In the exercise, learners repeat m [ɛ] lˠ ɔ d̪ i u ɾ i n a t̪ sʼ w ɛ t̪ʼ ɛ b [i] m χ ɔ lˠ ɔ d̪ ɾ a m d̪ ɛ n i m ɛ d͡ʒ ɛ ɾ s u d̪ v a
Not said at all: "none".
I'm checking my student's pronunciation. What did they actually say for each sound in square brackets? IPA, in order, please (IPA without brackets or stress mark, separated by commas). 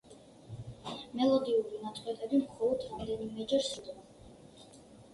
ɛ, i